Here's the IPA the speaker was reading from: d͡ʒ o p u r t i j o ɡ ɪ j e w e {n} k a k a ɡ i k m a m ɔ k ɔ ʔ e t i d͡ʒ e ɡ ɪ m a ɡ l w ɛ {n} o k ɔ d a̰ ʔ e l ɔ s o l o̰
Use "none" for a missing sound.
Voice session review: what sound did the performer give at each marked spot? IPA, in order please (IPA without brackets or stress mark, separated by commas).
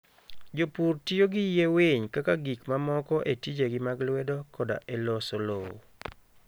ɲ, d